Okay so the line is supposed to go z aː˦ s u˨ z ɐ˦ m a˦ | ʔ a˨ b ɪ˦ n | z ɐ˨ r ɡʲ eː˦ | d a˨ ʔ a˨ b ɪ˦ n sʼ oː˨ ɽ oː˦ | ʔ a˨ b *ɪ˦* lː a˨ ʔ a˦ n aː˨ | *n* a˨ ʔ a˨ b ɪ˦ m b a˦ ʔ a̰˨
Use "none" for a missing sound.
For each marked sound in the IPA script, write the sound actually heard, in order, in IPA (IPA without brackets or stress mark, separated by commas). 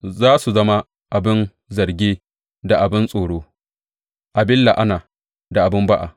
ɪ˦, d